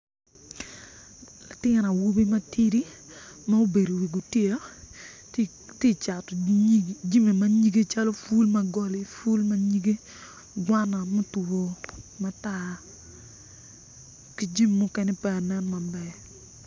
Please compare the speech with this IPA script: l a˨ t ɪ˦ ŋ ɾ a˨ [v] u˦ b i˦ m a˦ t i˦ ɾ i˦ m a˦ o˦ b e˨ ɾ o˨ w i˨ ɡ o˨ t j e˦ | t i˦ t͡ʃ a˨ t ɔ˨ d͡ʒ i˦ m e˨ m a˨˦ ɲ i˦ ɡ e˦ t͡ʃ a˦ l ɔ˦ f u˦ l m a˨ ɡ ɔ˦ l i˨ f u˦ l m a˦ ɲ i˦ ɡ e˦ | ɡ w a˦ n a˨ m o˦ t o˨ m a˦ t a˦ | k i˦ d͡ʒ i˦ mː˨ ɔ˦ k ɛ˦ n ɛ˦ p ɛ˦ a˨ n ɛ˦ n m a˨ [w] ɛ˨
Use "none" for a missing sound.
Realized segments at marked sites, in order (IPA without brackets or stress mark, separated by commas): w, b